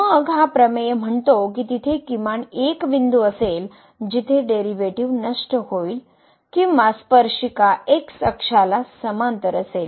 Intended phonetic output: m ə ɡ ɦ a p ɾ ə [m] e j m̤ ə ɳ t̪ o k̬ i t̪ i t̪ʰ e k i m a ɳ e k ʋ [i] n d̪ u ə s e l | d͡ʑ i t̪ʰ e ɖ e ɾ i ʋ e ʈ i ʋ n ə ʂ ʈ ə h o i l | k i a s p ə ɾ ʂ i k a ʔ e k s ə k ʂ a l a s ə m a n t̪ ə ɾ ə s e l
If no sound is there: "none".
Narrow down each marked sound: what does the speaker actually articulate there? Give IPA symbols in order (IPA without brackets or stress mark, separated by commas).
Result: m, i